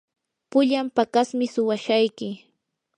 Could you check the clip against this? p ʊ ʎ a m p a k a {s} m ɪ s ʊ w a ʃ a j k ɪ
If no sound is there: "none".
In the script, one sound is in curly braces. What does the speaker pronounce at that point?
s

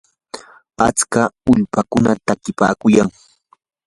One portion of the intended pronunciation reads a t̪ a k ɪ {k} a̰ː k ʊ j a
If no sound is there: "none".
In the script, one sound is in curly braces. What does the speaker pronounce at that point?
p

